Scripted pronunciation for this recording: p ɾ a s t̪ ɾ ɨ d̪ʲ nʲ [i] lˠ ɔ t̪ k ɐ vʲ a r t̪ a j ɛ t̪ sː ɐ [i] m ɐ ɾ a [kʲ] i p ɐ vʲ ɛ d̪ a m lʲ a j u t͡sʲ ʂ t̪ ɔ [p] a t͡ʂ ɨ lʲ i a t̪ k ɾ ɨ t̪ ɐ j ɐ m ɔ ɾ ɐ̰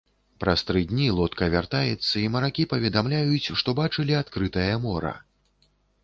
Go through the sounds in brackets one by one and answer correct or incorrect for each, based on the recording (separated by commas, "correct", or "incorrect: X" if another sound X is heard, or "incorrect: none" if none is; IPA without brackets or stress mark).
correct, correct, correct, incorrect: b